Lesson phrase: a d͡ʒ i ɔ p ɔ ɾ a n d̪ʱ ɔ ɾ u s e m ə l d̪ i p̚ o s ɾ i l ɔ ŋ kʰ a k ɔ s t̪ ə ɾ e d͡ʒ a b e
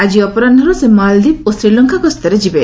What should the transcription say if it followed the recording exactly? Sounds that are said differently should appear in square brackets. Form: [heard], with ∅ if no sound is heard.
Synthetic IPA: a d͡ʒ i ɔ p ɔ ɾ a n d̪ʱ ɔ ɾ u s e m [a] l d̪ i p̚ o s ɾ i l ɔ ŋ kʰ a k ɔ s t̪ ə ɾ e d͡ʒ [i] b e

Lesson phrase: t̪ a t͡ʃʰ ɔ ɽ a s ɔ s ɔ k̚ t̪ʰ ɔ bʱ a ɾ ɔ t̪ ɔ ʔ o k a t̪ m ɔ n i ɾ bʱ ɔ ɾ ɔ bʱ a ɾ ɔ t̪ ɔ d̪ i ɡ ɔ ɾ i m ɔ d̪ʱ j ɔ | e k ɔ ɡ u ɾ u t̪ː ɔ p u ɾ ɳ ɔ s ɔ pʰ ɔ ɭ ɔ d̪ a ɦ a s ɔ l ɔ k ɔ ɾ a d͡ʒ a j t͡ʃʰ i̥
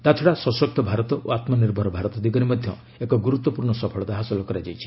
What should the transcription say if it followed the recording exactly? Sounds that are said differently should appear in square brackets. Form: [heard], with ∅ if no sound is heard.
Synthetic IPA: t̪ a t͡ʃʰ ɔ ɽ a s ɔ s ɔ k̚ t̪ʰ ɔ bʱ a ɾ ɔ t̪ ɔ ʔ o [∅] a t̪ m ɔ n i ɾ bʱ ɔ ɾ ɔ bʱ a ɾ ɔ t̪ ɔ d̪ i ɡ ɔ ɾ i m ɔ d̪ʱ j ɔ | e k ɔ ɡ u ɾ u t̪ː ɔ p u ɾ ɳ ɔ s ɔ pʰ ɔ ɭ ɔ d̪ a ɦ a s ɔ l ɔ k ɔ ɾ a d͡ʒ a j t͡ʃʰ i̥

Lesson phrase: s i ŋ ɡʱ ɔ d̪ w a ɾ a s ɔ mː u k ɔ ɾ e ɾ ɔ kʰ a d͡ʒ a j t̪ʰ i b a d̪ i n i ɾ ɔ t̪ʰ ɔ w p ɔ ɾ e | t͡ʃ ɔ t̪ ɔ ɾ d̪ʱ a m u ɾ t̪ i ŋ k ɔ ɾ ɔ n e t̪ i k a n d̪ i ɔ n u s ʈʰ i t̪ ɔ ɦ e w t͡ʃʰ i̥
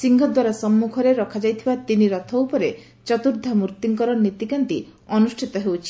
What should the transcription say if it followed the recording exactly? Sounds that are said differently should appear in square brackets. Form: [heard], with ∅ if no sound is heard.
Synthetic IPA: s i ŋ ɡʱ ɔ d̪ w a ɾ a s ɔ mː u [kʰ] ɔ ɾ e ɾ ɔ kʰ a d͡ʒ a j t̪ʰ i b a [t̪] i n i ɾ ɔ t̪ʰ ɔ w p ɔ ɾ e | t͡ʃ ɔ t̪ [u] ɾ d̪ʱ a m u ɾ t̪ i ŋ k ɔ ɾ ɔ n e t̪ i k a n [t̪] i ɔ n u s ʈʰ i t̪ ɔ ɦ e w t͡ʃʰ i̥

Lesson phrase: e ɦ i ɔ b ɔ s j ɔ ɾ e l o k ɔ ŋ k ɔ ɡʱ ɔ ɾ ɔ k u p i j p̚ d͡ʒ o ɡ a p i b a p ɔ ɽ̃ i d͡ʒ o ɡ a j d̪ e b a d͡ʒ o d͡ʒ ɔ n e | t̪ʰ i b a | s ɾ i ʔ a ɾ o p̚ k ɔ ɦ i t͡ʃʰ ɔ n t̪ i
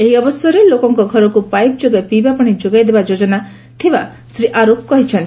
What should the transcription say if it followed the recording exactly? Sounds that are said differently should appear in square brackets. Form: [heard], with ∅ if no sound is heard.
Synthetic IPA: e ɦ i ɔ b ɔ s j ɔ ɾ e l o k ɔ ŋ k ɔ ɡʱ ɔ ɾ ɔ k u p [a] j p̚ d͡ʒ o ɡ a p i b a p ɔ ɽ̃ i d͡ʒ o ɡ a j d̪ e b a d͡ʒ o d͡ʒ ɔ n [a] | t̪ʰ i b a | s ɾ i ʔ a ɾ o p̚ k ɔ ɦ i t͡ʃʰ ɔ n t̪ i

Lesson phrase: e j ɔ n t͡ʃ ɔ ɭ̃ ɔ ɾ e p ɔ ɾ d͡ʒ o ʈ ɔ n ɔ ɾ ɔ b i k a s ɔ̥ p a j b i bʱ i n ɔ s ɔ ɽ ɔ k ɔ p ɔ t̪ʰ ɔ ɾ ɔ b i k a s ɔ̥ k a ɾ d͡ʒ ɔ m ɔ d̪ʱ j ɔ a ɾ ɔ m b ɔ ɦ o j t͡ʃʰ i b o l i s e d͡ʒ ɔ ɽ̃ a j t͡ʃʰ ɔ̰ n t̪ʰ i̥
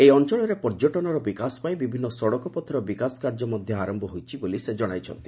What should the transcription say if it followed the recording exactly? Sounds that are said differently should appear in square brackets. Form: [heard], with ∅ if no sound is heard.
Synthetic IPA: e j ɔ n t͡ʃ ɔ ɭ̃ ɔ ɾ e p ɔ ɾ d͡ʒ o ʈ ɔ n ɔ ɾ ɔ b i k a s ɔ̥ p a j b i bʱ i [nː] ɔ s ɔ ɽ ɔ k ɔ p ɔ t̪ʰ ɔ ɾ ɔ b i k a s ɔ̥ k a ɾ d͡ʒ ɔ m ɔ d̪ʱ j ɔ a ɾ ɔ m b ɔ ɦ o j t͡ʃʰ i b o l i s e d͡ʒ ɔ ɽ̃ a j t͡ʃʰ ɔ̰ n [t̪] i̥

